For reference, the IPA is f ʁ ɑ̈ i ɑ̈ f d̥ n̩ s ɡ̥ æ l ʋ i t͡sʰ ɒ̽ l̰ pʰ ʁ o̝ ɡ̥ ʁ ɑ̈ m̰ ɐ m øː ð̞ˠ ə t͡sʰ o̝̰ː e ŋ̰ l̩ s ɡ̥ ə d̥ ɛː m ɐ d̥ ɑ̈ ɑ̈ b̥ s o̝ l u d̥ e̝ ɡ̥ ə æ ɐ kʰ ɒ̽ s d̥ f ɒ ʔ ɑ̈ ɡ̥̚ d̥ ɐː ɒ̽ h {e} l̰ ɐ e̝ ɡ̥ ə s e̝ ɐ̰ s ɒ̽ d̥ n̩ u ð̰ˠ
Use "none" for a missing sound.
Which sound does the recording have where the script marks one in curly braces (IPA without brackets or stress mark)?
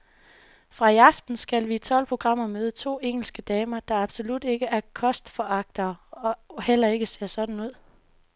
e